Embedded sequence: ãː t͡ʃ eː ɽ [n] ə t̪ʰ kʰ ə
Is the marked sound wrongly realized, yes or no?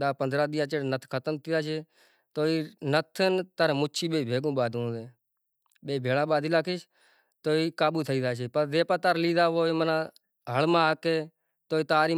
no